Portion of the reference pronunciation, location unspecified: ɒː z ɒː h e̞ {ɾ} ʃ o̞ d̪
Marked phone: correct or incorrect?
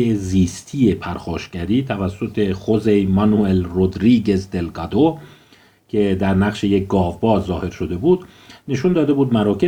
correct